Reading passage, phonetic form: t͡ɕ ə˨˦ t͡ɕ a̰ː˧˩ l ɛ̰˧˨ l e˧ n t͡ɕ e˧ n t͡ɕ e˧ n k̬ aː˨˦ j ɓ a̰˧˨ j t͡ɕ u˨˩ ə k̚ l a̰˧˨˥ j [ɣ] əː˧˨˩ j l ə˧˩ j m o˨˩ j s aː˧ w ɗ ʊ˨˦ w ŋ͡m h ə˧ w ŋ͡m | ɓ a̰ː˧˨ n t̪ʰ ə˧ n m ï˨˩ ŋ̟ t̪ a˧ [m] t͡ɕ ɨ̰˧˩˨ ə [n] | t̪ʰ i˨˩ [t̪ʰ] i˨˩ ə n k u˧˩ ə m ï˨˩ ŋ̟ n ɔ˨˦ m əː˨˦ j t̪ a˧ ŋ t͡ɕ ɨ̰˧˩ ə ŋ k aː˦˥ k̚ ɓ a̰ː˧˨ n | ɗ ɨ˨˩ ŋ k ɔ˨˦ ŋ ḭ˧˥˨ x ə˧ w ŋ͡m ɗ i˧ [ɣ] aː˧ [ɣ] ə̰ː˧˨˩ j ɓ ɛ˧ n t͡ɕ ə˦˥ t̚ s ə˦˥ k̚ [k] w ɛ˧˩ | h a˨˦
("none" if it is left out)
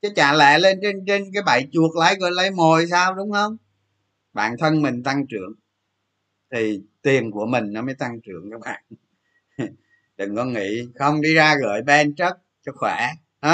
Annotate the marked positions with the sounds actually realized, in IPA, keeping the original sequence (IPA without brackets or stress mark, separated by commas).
ɣ, ŋ, ŋ, t̪, z, ɣ, x